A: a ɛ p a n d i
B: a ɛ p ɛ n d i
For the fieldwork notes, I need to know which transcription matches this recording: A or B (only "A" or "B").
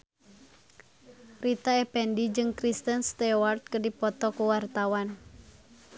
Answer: B